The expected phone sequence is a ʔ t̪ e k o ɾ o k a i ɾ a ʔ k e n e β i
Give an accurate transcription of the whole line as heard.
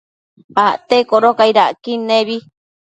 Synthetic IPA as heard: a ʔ t̪ e k o ɾ o k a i ɾ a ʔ k i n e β i